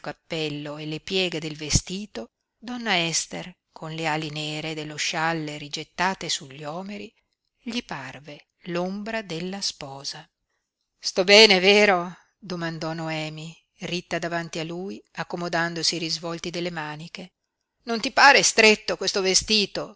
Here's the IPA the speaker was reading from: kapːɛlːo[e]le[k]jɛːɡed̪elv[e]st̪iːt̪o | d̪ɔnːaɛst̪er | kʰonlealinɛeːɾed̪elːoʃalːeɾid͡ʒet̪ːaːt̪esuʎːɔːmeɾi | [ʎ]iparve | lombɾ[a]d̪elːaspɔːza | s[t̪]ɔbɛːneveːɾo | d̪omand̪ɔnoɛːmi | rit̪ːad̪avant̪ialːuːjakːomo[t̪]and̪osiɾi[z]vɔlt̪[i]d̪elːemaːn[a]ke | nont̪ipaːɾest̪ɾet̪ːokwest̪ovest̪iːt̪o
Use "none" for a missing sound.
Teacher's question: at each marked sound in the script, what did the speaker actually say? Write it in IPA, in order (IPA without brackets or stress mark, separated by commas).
e, p, e, ʎ, a, t̪, d̪, z, i, i